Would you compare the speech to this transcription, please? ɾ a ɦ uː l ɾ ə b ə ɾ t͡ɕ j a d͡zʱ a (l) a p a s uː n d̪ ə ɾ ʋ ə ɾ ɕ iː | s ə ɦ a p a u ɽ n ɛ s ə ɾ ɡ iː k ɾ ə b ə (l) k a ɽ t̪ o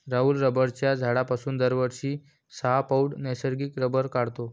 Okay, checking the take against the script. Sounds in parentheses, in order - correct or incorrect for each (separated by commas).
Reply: incorrect, incorrect